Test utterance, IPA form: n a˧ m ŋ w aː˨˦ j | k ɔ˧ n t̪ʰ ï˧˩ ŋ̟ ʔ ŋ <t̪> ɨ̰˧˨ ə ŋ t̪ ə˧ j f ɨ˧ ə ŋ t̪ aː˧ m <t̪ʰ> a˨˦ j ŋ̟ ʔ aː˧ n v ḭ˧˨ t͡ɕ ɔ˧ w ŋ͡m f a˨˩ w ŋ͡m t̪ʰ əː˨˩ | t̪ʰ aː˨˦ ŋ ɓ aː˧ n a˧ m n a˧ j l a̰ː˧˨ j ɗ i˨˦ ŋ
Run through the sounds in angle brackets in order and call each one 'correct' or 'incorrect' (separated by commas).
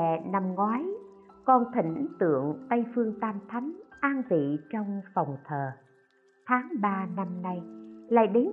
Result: correct, correct